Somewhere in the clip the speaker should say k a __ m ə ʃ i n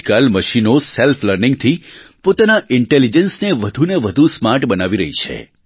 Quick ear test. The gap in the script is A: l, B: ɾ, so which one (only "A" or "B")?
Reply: A